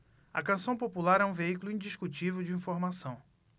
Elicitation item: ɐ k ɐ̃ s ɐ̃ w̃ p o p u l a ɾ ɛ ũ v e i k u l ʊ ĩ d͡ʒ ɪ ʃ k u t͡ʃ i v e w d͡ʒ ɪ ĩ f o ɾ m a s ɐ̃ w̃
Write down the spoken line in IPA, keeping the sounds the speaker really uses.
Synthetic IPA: ɐ k ɐ̃ s ɐ̃ w̃ p o p u l a ɾ ɛ ũ v e i k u l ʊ ĩ d͡ʒ i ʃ k u t͡ʃ i v e w d͡ʒ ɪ ĩ f o ɾ m a s ɐ̃ w̃